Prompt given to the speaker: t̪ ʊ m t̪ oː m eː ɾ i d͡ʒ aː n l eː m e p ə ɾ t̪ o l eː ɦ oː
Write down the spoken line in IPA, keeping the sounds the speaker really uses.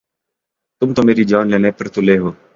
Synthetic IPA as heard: t̪ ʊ m t̪ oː m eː ɾ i d͡ʒ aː n l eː n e p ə ɾ t̪ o l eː ɦ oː